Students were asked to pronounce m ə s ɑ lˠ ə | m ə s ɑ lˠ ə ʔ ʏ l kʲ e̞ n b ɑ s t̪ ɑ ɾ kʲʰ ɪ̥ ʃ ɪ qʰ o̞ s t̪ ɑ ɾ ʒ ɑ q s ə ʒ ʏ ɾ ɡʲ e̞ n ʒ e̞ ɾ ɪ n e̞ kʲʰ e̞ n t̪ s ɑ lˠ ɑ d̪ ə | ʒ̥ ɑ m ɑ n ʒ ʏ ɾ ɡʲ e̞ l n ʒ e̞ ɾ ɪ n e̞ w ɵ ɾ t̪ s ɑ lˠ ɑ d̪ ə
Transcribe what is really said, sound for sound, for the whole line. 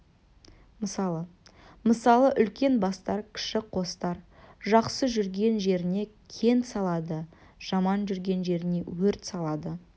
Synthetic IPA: m ə s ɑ lˠ ə | m ə s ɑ lˠ ə ʔ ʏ l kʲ e̞ n b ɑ s t̪ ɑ ɾ kʲʰ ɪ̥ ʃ ɪ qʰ o̞ s t̪ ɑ ɾ ʒ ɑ q s ə ʒ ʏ ɾ ɡʲ e̞ n ʒ e̞ ɾ ɪ n e̞ kʲʰ e̞ n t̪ s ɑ lˠ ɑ d̪ ə | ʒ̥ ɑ m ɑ n ʒ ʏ ɾ ɡʲ e̞ n ʒ e̞ ɾ ɪ n e̞ w ɵ ɾ t̪ s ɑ lˠ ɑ d̪ ə

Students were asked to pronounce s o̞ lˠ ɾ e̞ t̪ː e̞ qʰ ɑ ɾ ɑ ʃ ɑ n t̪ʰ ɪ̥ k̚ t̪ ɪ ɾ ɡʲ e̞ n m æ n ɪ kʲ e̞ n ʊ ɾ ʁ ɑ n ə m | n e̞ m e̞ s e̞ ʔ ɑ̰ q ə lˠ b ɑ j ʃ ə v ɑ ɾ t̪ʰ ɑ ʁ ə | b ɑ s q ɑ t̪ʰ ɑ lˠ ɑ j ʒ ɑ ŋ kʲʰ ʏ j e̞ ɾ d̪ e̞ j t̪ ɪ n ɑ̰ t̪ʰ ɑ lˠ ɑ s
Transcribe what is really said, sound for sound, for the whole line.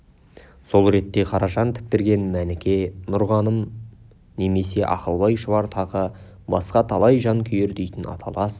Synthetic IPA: s o̞ lˠ ɾ e̞ t̪ː e̞ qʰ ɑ ɾ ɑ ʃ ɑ n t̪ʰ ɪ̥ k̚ t̪ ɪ ɾ ɡʲ e̞ n m æ n ɪ kʲ e̞ n ʊ ɾ ʁ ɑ n ə m | n e̞ m e̞ s e̞ ʔ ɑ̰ q ə lˠ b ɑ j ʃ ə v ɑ ɾ t̪ʰ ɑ ʁ ə | b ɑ s q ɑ t̪ʰ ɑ lˠ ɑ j ʒ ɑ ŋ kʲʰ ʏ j e̞ ɾ d̪ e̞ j t̪ ɪ n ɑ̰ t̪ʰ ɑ lˠ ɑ s

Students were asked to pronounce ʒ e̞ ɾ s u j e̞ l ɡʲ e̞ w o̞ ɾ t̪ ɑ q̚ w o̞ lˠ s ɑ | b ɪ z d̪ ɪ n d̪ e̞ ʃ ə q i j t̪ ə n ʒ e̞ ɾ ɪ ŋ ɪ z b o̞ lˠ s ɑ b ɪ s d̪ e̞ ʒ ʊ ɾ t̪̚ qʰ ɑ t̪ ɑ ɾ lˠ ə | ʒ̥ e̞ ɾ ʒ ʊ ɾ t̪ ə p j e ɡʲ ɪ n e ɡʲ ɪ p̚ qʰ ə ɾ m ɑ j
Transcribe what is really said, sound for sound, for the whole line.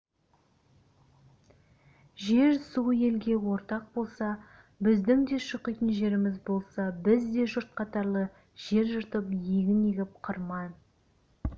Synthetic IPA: ʒ e̞ ɾ s u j e̞ l ɡʲ e̞ w o̞ ɾ t̪ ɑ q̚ b o̞ lˠ s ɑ | b ɪ z d̪ ɪ ŋ d̪ e̞ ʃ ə q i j t̪ ə n ʒ e̞ ɾ ɪ m ɪ z b o̞ lˠ s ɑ b ɪ z d̪ e̞ ʒ ʊ ɾ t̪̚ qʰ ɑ t̪ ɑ ɾ lˠ ə | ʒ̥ e̞ ɾ ʒ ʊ ɾ t̪ ə p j e ɡʲ ɪ n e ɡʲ ɪ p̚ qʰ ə ɾ m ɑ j

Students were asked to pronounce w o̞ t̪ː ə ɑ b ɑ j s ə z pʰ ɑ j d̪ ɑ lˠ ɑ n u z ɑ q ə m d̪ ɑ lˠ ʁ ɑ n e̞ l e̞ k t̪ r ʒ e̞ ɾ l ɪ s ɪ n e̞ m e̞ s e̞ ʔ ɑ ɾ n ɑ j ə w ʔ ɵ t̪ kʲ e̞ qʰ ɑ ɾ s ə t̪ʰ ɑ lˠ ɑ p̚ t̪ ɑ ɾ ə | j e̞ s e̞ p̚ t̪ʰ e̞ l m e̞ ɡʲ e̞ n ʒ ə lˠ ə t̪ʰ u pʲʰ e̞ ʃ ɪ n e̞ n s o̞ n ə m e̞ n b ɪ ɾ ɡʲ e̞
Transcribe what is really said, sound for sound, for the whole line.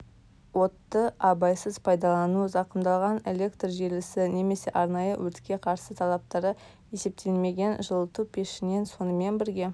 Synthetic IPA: w o̞ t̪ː ə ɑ b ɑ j s ə z pʰ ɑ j d̪ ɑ lˠ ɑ n u z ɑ q ə m d̪ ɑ lˠ ʁ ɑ n e̞ l e̞ k t̪ r ʒ e̞ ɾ l ɪ s ɪ n e̞ m e̞ s e̞ ʔ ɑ ɾ n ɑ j ə w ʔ ɵ t̪ kʲ e̞ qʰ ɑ ɾ s ə t̪ʰ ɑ lˠ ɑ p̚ t̪ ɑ ɾ ə | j e̞ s e̞ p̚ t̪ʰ e̞ l m e̞ ɡʲ e̞ n ʒ ə lˠ ə t̪ u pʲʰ e̞ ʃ ɪ n e̞ n s o̞ n ə m e̞ n b ɪ ɾ ɡʲ e̞

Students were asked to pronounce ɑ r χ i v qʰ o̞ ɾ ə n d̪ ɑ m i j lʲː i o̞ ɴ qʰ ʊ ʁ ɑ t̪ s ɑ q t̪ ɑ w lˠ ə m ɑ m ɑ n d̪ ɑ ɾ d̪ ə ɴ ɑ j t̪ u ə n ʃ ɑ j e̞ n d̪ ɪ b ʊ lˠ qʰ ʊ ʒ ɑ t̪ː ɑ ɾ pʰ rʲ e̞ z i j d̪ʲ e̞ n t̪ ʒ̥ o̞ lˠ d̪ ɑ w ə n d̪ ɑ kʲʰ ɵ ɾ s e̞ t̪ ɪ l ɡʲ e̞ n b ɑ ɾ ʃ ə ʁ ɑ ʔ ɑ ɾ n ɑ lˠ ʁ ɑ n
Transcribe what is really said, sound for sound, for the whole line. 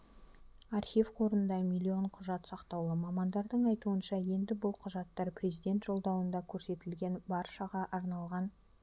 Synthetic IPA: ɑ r χ i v qʰ o̞ ɾ ə n d̪ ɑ m i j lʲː i o̞ ɴ qʰ ʊ ʒ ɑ t̪ s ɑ q t̪ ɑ w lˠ ə m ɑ m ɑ n d̪ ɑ ɾ d̪ ə ɴ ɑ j t̪ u ə n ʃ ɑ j e̞ n d̪ ɪ b ʊ lˠ qʰ ʊ ʒ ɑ t̪ː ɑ ɾ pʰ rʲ e̞ z i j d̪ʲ e̞ n t̪ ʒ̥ o̞ lˠ d̪ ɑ w ə n d̪ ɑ kʲʰ ɵ ɾ s e̞ t̪ ɪ l ɡʲ e̞ n b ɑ ɾ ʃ ɑ ʁ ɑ ʔ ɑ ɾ n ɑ lˠ ʁ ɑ n

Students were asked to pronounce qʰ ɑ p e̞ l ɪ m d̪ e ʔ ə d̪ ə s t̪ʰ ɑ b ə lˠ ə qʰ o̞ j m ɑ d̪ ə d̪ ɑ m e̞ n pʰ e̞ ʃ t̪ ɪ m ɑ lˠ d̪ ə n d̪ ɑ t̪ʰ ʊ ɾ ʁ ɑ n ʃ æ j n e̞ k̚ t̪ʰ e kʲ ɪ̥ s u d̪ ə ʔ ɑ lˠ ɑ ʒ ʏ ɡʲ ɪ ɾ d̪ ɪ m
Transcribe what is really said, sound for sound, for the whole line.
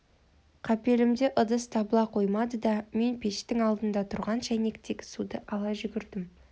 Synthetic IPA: qʰ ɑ p e̞ l ɪ m d̪ e ʔ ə d̪ ə s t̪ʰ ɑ b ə lˠ ɑ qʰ o̞ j m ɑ d̪ ə d̪ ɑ m e̞ n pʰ e̞ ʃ t̪ ɪ ŋ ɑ lˠ d̪ ə n d̪ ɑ t̪ʰ ʊ ɾ ʁ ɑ n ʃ æ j n e̞ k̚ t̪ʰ e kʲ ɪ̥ s u d̪ ə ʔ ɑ lˠ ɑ ʒ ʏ ɡʲ ɪ ɾ d̪ ɪ m

